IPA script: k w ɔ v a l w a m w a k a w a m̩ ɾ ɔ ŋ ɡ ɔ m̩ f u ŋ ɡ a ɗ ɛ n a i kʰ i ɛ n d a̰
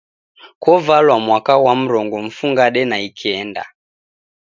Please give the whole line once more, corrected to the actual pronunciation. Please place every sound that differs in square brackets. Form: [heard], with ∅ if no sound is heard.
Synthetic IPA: k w ɔ v a l w a m w a k a w a m̩ ɾ ɔ ŋ ɡ ɔ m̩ f u ŋ ɡ a ɗ ɛ n a i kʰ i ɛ n d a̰